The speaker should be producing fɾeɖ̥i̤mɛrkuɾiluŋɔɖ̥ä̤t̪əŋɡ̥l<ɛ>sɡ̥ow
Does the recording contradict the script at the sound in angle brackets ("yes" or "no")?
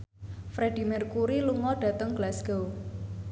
yes